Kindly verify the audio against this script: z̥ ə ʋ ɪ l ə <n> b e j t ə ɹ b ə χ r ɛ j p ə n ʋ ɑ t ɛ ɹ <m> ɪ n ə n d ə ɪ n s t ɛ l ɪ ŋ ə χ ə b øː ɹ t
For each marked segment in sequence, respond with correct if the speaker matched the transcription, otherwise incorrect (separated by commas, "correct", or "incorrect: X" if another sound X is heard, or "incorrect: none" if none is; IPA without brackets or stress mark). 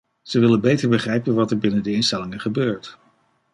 correct, incorrect: b